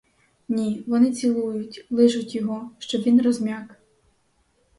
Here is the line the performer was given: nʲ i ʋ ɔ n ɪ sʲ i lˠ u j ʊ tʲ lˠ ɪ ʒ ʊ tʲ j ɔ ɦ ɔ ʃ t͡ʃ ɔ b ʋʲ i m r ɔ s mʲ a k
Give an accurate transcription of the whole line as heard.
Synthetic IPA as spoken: nʲ i ʋ ɔ n ɪ t͡sʲ i lˠ u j ʊ tʲ lˠ ɪ ʒ ʊ tʲ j ɔ ɦ ɔ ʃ t͡ʃ ɔ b ʋʲ i n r ɔ z mʲ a k